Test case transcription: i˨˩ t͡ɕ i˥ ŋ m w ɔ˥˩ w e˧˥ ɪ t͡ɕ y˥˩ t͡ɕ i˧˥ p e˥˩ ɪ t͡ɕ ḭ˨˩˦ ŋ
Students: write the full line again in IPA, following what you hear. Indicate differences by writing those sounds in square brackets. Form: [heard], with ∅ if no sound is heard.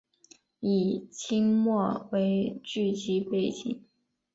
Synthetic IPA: i˨˩ [t͡ɕʰ] i˥ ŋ m w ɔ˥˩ w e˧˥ ɪ t͡ɕ y˥˩ t͡ɕ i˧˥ p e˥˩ ɪ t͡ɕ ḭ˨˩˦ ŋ